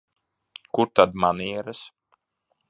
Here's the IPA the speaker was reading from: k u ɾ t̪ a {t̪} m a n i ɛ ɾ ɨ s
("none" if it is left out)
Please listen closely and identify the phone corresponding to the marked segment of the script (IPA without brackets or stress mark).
d̪